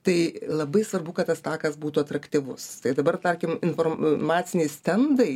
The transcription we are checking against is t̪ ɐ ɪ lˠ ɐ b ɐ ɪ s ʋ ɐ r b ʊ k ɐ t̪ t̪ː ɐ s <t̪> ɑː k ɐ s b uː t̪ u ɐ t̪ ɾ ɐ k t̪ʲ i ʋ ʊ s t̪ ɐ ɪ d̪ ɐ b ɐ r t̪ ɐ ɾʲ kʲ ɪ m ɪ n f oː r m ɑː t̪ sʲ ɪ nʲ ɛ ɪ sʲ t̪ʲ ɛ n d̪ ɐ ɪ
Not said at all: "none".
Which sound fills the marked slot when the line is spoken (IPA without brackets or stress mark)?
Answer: t̪